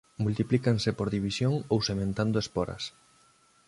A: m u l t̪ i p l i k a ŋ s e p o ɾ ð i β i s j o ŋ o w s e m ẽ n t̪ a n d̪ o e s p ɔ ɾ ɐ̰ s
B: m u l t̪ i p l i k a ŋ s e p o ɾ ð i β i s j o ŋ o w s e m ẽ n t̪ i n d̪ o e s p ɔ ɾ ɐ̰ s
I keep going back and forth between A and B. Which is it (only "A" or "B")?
A